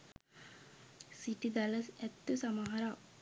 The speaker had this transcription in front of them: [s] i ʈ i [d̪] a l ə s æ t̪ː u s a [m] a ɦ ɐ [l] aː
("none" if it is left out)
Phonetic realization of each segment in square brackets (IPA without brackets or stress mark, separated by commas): s, d̪, m, ɾ